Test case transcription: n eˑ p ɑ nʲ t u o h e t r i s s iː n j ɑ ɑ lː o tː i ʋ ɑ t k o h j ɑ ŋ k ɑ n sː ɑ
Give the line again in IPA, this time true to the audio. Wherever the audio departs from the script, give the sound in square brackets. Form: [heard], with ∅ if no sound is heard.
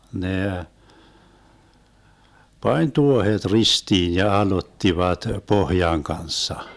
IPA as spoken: n eˑ p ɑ nʲ t u o h e t r i s [t] iː n j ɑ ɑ [l] o tː i ʋ ɑ t [p] o h j ɑ ŋ k ɑ n sː ɑ

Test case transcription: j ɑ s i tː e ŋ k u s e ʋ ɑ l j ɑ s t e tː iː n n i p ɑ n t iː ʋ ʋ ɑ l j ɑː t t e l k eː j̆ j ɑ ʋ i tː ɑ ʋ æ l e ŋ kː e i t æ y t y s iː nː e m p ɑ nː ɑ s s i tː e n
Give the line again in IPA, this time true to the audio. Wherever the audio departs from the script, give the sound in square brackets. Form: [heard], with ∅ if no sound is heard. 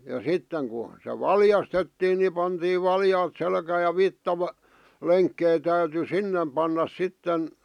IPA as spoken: j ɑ s i tː e ŋ k u s e ʋ ɑ l j ɑ s t e tː iː n n i p ɑ n t iː ʋ ʋ ɑ l j ɑː t [s] e l k [æː] j̆ j ɑ ʋ i tː ɑ ʋ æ l e ŋ kː e i t æ y t y s [i] nː e m p ɑ nː ɑ s s i tː e n

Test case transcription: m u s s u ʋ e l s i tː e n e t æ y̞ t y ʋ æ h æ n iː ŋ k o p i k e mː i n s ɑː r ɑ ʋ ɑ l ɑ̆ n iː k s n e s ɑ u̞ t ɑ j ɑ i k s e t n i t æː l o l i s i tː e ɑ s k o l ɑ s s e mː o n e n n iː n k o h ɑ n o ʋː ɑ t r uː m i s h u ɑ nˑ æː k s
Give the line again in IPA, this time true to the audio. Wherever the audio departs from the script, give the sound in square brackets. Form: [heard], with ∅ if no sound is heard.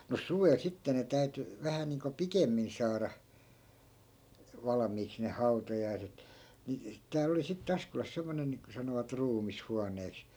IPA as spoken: m u s s u ʋ e l s i tː e n e t æ y̞ t y ʋ æ h æ n iː ŋ k o p i k e mː i n s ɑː r ɑ ʋ ɑ l ɑ̆ [m] iː k s n e [h] ɑ u̞ t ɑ j ɑ i [∅] s e t n i t æː l o l i s i tː e ɑ s k o l ɑ s s e mː o n e n n iː [ŋ] k o [s] ɑ n o [ʋ] ɑ t r uː m i s h u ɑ nˑ [eː] k s

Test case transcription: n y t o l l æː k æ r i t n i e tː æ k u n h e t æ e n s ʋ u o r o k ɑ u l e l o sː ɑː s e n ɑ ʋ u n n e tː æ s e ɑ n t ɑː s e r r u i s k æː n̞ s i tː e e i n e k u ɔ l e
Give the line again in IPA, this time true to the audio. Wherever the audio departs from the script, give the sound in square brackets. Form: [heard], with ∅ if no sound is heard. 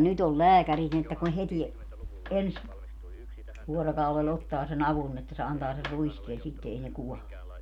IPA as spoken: n y t o l l æː k æ r i t n i e tː æ k u n h e t [i] e n s ʋ u o r o k ɑ u l e l o [tː] ɑː s e n ɑ ʋ u n n e tː æ s e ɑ n t ɑː s e r r u i s k [eː] n̞ s i tː e e i n e k u ɔ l e

